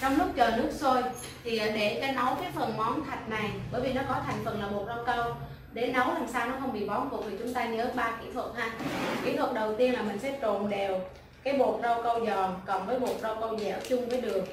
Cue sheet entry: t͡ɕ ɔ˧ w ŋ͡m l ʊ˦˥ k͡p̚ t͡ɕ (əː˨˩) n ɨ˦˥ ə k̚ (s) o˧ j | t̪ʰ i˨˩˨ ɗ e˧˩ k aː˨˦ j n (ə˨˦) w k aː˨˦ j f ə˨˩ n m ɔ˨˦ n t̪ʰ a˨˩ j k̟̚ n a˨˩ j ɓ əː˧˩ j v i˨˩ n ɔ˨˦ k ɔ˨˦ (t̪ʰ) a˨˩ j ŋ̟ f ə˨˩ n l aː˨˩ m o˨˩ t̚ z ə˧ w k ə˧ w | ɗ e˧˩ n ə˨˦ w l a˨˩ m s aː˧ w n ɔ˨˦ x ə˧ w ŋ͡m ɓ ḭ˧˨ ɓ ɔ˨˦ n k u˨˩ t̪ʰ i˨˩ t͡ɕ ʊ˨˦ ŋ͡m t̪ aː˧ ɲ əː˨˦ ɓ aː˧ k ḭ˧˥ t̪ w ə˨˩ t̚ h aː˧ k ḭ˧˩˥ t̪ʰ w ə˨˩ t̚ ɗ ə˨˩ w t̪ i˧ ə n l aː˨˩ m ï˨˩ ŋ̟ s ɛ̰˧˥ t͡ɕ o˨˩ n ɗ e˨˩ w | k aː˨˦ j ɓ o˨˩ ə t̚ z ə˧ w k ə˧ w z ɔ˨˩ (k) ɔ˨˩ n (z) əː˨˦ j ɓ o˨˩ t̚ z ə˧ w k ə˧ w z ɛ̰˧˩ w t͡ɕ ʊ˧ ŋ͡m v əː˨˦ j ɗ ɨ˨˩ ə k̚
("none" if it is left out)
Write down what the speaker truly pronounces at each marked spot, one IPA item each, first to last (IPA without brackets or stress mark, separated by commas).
əː˨˩, s, ə˨˦, t̪ʰ, k, v